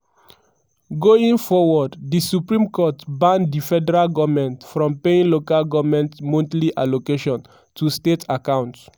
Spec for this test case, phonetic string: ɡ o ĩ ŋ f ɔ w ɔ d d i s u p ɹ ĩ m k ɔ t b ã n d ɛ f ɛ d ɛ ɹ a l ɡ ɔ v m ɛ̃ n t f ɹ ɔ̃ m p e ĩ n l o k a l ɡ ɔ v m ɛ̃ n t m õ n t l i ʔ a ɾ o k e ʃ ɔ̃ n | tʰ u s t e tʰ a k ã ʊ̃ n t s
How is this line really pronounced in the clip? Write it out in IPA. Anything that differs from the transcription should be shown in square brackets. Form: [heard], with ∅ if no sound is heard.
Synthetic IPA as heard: ɡ o ĩ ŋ f ɔ w ɔ d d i s u p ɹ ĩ m k ɔ t b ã n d [i] f ɛ d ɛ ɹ a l ɡ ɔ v m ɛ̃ n t f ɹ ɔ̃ m p e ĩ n l o k a l ɡ ɔ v m ɛ̃ n t m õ n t l i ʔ a [l] o k e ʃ ɔ̃ n | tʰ u s t e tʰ a k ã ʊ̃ n t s